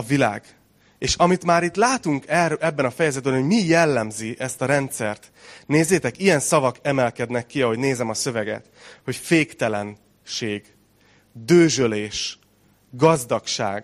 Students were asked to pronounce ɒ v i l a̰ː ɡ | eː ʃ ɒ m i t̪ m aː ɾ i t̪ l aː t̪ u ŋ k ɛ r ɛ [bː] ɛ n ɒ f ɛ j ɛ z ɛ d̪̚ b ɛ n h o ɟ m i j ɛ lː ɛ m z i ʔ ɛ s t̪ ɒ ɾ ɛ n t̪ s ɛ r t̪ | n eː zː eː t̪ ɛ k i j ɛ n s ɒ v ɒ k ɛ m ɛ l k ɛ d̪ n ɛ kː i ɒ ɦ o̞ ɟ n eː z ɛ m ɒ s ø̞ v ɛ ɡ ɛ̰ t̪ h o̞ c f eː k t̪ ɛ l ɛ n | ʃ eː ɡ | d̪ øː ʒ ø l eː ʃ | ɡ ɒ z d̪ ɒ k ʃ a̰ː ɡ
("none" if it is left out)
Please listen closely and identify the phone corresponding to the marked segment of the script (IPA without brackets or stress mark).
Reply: bː